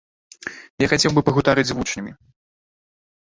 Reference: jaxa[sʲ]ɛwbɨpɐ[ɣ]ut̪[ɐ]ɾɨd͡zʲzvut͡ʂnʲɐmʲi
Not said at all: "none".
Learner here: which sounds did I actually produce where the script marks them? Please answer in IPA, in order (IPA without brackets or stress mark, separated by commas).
t͡sʲ, ɣ, a